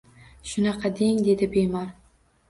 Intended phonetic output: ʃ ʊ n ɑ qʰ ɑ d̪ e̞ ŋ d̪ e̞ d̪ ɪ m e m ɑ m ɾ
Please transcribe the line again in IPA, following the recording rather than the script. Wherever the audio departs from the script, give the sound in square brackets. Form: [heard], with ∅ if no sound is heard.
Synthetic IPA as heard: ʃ ʊ n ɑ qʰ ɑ d̪ e̞ ŋ d̪ e̞ d̪ ɪ [b] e m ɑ [∅] ɾ